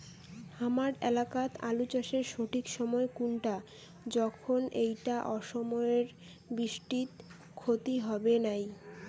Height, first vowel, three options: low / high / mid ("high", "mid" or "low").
low